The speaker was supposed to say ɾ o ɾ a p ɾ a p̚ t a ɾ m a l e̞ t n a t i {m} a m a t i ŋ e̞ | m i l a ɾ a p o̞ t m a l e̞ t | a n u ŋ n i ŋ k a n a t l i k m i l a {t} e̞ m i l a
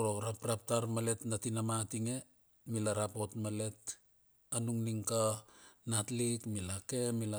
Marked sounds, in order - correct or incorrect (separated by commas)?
incorrect, incorrect